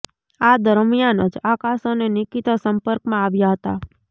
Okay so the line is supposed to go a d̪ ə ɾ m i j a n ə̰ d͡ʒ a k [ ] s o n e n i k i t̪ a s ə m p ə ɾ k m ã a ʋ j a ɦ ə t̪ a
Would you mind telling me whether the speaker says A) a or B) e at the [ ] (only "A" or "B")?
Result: A